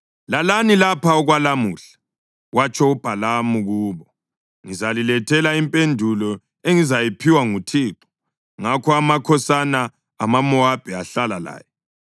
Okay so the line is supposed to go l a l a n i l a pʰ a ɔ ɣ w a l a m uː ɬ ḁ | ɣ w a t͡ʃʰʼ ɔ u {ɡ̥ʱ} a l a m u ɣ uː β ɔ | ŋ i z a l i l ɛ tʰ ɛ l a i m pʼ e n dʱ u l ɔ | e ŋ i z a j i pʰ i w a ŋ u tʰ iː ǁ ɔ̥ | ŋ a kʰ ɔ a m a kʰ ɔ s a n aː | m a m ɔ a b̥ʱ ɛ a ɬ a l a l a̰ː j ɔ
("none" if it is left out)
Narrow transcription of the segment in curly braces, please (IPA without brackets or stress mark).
b̥ʱ